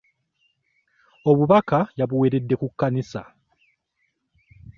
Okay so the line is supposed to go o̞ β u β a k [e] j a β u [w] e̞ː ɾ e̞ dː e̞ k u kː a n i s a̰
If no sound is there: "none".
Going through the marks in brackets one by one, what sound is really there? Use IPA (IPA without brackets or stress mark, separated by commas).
a, w